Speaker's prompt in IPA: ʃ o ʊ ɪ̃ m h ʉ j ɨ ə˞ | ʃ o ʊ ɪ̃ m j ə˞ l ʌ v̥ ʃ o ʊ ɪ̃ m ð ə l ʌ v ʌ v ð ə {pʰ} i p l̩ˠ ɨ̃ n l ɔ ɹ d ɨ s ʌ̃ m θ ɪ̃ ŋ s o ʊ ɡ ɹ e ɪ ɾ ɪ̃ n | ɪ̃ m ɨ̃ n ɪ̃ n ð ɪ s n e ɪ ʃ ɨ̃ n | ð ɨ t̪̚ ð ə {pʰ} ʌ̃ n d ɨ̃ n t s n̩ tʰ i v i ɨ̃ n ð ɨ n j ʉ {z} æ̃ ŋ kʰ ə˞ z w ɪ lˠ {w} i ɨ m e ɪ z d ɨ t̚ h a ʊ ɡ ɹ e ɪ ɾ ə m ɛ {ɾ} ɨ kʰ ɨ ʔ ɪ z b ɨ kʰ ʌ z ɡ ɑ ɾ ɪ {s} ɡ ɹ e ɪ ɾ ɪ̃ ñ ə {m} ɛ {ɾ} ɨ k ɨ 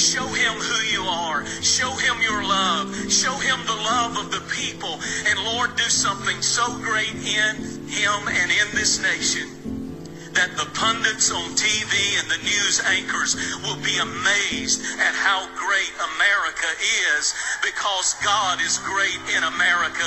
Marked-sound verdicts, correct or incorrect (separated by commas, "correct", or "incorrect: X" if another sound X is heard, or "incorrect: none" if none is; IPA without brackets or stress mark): correct, correct, correct, incorrect: b, incorrect: ɹ, incorrect: z, correct, incorrect: ɹ